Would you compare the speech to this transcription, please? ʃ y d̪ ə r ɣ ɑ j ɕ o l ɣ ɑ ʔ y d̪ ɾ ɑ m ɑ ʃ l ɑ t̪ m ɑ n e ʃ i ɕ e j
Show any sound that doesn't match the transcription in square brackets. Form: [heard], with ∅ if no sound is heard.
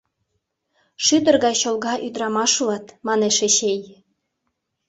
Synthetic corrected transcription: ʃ y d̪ ə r ɣ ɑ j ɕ o l ɣ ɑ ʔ y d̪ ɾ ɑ m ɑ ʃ l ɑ t̪ m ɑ n e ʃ [e] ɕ e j